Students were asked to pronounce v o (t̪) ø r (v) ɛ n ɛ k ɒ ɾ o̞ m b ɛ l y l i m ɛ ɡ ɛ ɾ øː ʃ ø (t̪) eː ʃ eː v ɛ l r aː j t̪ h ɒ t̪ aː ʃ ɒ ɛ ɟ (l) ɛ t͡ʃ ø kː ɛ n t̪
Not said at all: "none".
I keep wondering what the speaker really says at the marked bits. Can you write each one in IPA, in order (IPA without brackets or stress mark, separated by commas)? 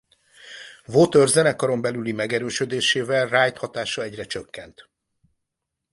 t̪, z, d̪, r